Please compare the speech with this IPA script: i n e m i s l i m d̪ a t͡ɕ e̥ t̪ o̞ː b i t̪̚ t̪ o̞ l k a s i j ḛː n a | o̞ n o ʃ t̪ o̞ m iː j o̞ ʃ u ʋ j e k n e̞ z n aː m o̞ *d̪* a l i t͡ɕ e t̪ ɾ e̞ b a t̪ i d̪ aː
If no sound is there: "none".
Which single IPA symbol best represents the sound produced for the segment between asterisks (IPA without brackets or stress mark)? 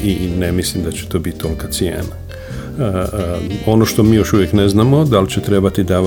d̪